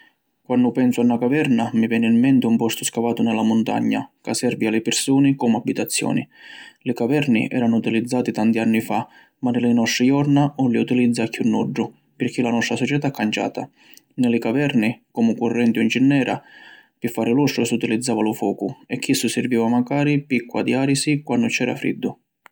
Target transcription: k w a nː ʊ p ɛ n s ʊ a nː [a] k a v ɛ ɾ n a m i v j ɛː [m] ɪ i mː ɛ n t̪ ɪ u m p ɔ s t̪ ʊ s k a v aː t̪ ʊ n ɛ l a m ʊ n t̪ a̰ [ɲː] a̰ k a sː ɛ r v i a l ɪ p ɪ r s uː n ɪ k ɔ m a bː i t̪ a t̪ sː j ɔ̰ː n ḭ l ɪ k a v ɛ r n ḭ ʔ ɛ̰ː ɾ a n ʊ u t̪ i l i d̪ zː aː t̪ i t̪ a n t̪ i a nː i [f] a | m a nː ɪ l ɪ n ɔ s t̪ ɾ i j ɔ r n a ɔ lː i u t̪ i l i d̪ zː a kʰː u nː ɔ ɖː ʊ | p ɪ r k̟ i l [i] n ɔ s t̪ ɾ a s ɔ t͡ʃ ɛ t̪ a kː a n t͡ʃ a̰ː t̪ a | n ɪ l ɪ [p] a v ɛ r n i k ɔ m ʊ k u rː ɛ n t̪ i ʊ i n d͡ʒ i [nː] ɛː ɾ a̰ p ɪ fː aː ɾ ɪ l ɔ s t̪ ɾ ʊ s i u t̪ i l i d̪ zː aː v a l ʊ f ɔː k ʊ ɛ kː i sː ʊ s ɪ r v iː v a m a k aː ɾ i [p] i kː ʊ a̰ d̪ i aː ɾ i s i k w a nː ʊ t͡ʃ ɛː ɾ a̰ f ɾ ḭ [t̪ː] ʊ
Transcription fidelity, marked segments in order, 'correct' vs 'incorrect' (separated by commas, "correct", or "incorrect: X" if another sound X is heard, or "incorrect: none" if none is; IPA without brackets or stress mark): correct, incorrect: n, correct, correct, incorrect: a, incorrect: k, correct, correct, incorrect: d̪ː